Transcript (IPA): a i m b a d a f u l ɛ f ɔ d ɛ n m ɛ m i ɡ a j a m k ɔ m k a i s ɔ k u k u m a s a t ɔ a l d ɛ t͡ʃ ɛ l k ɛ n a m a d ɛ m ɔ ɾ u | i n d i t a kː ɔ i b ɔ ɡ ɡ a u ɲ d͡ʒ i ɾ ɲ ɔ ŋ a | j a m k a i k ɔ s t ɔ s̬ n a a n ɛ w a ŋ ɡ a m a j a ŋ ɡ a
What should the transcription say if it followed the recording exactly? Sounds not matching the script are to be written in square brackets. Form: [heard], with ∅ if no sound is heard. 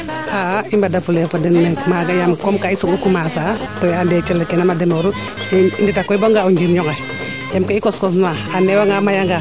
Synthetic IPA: a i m b a d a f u l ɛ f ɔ d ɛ n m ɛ m [a] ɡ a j a m k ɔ m k a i s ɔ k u k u m a s a t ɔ a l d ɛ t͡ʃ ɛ l k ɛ n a m a d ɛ m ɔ ɾ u | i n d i t a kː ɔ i b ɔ [ŋ] ɡ a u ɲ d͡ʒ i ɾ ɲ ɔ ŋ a | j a m k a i k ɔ s [k] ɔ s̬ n a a n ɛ w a ŋ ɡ a m a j a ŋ ɡ a